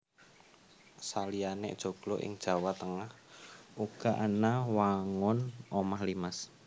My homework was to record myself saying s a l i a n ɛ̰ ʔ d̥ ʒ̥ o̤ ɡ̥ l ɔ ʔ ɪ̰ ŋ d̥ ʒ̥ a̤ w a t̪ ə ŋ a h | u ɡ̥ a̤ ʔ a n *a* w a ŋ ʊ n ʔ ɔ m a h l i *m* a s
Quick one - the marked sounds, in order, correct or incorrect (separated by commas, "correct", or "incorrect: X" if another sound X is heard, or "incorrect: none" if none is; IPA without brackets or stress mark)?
correct, correct